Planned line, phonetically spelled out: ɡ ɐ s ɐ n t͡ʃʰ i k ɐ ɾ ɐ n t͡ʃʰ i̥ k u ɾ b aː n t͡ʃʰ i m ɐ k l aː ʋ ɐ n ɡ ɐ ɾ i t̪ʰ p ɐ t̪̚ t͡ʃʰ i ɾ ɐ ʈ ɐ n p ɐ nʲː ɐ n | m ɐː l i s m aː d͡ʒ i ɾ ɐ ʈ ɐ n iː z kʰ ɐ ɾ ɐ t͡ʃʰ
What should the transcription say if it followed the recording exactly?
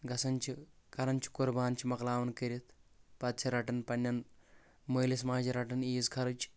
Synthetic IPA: ɡ ɐ s ɐ n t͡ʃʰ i k ɐ ɾ ɐ n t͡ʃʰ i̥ k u ɾ b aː n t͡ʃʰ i m ɐ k l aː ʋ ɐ n k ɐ ɾ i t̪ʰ p ɐ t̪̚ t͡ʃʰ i ɾ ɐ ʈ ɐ n p ɐ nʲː ɐ n | m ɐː l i s m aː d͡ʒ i ɾ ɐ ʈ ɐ n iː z kʰ ɐ ɾ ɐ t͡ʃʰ

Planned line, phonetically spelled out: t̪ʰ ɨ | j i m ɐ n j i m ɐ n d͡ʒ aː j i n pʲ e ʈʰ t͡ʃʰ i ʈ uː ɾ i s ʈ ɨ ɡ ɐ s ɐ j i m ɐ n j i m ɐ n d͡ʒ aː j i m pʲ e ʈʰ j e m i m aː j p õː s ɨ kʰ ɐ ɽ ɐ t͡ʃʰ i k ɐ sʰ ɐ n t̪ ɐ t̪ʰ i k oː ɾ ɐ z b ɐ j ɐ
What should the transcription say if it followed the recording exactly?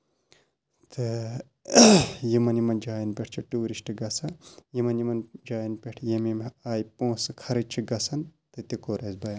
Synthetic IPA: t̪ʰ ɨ | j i m ɐ n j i m ɐ n d͡ʒ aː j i n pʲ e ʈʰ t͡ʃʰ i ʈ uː ɾ i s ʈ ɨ ɡ ɐ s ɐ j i m ɐ n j i m ɐ n d͡ʒ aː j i n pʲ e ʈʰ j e m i m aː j p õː s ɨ kʰ ɐ ɾ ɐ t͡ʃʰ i ɡ ɐ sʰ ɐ n t̪ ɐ t̪ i k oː ɾ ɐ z b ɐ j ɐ

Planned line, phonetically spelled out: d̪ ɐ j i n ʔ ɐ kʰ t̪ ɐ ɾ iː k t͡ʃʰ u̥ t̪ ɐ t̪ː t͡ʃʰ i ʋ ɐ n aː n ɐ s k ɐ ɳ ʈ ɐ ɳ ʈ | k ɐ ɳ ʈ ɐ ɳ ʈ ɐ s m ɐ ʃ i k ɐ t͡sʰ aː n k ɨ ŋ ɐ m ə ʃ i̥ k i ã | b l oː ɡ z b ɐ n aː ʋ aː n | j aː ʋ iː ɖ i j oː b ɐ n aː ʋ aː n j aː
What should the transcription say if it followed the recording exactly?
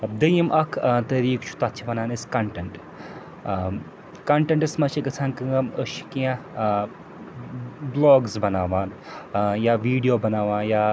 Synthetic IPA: d̪ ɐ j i m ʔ ɐ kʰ t̪ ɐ ɾ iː k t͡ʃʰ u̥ t̪ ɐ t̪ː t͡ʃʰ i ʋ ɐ n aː n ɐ s k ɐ ɳ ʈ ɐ ɳ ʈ | k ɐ ɳ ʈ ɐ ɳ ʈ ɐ s m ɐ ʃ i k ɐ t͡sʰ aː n k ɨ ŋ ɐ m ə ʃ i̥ k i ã | b l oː ɡ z b ɐ n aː ʋ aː n | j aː ʋ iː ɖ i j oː b ɐ n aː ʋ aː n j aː

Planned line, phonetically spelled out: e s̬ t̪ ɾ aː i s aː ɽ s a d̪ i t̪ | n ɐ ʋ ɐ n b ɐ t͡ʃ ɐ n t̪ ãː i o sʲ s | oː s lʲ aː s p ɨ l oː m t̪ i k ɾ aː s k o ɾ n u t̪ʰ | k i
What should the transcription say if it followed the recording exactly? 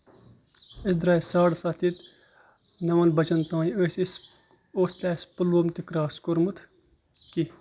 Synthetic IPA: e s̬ d̪ ɾ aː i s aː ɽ s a t̪ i t̪ | n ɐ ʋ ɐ n b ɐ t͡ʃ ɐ n t̪ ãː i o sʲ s | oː s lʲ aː s p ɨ l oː m t̪ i k ɾ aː s k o ɾ m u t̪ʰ | k i

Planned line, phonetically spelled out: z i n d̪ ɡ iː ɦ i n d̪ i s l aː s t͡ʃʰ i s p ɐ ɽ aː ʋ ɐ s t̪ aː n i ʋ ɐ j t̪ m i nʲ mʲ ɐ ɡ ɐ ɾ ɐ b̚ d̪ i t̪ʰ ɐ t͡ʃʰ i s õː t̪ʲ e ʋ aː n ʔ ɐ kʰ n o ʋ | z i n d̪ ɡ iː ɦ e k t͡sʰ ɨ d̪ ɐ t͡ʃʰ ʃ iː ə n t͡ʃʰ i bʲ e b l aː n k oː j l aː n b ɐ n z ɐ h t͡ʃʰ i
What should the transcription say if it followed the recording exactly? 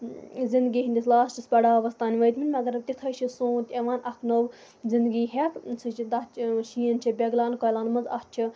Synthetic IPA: z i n d̪ ɡ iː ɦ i n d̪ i s l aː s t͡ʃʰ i s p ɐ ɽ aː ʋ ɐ s t̪ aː n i ʋ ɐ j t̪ m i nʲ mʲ ɐ ɡ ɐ ɾ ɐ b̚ t̪ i t̪ʰ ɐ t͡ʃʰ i s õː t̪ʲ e ʋ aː n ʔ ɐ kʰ n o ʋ | z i n d̪ ɡ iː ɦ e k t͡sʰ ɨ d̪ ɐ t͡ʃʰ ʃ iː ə n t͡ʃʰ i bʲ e ɡ l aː n k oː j l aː n m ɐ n z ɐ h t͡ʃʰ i

